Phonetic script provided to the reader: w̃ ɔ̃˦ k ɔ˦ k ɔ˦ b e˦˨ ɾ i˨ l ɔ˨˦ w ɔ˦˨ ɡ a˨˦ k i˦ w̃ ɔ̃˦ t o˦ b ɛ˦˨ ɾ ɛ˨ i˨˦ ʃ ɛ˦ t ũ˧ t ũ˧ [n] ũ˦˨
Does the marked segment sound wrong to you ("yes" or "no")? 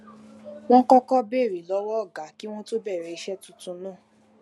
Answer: no